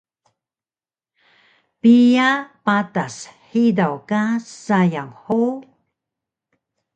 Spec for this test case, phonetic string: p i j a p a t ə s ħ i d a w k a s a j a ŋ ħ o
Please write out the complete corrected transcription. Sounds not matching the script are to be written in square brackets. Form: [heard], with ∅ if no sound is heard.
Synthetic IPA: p i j a p a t [a] s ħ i d a w k a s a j a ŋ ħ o